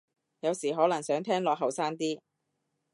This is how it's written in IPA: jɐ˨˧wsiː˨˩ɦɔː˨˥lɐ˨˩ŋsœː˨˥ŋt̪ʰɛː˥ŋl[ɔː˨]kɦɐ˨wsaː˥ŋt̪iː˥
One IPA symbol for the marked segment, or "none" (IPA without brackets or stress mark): ɔː˨